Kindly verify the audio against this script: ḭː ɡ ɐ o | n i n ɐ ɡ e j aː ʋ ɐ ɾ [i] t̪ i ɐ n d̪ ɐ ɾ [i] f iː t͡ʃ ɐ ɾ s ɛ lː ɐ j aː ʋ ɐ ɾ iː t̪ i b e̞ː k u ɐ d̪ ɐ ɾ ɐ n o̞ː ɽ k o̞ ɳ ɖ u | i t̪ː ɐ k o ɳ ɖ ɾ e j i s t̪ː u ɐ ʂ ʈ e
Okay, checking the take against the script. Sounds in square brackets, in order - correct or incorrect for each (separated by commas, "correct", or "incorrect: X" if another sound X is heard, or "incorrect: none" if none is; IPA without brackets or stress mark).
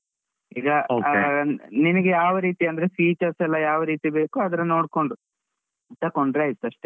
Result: incorrect: iː, incorrect: e